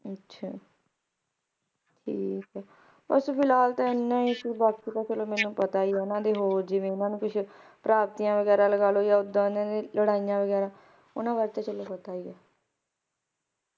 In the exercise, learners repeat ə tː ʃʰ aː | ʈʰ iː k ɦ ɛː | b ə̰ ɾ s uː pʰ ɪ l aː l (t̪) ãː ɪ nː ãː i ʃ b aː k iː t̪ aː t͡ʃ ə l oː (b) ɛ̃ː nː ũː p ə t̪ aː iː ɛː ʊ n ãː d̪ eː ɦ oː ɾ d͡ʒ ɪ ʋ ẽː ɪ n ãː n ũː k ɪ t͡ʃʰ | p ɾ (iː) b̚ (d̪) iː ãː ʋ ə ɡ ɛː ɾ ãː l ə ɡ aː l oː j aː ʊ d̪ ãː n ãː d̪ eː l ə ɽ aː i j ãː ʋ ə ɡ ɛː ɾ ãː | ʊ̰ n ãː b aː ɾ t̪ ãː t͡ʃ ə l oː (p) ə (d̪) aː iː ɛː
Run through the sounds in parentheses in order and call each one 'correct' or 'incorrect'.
correct, incorrect: m, incorrect: aː, incorrect: t̪, correct, incorrect: t̪

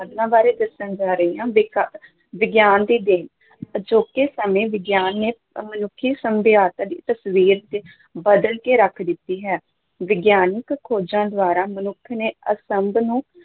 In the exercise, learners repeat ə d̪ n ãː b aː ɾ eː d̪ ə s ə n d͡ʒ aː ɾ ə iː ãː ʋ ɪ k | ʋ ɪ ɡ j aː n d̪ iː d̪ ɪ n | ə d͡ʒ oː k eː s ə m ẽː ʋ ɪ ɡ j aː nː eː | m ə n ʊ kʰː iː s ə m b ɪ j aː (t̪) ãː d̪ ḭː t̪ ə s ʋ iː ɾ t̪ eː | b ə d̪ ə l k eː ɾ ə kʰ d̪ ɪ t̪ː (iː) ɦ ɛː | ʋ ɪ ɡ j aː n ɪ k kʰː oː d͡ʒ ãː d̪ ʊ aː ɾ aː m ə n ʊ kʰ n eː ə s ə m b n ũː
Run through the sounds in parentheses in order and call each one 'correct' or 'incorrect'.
correct, correct

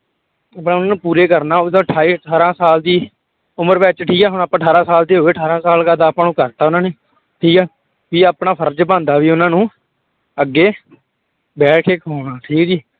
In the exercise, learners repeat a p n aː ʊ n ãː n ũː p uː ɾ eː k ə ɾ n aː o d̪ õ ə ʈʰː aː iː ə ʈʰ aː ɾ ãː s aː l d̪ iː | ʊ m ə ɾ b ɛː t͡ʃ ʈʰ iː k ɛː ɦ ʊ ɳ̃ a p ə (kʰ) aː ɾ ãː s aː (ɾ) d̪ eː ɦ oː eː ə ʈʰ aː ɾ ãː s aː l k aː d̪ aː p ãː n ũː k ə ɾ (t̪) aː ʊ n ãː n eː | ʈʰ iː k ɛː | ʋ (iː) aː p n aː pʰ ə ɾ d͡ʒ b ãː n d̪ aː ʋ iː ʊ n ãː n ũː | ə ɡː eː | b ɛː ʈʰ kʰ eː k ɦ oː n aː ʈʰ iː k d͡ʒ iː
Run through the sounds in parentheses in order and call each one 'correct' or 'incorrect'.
incorrect: ʈʰ, incorrect: l, correct, correct

